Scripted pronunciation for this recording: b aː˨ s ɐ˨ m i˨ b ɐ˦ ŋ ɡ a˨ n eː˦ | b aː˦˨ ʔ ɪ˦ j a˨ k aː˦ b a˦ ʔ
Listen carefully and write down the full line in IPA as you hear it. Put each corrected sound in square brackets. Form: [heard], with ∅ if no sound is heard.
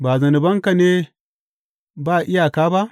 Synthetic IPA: b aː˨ [z] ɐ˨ [n] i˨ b ɐ˦ ŋ [k] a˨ n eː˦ | b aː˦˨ ʔ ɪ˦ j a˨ k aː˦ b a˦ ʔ